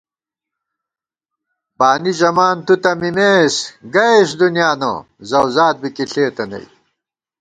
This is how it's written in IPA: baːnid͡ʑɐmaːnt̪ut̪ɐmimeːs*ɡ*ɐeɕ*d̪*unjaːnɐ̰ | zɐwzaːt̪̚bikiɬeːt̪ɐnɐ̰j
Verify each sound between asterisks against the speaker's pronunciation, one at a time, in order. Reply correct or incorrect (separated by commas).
correct, correct